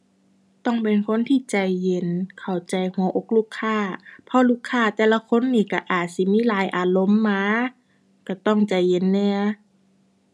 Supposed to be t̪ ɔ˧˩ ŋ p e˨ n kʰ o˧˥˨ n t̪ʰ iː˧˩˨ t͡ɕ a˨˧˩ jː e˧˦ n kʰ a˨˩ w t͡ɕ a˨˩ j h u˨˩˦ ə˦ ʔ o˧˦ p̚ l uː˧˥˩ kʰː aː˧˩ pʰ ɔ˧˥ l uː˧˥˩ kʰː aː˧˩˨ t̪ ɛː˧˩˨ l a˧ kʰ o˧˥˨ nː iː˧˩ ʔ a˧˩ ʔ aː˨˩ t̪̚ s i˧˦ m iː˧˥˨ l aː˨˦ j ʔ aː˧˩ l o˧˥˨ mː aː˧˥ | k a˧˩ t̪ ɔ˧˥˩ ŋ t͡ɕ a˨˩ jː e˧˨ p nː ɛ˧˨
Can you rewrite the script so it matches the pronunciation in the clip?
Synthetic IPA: t̪ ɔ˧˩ ŋ p e˨ n kʰ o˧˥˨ n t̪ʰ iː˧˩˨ t͡ɕ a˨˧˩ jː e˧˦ n kʰ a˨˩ w t͡ɕ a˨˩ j h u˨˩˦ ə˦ ʔ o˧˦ k̚ l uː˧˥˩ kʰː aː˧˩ pʰ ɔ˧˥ l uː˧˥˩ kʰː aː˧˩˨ t̪ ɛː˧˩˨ l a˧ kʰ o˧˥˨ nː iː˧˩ k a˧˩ ʔ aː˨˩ t̪̚ s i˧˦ m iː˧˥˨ l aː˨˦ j ʔ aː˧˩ l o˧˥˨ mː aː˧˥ | k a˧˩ t̪ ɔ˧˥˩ ŋ t͡ɕ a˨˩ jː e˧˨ nː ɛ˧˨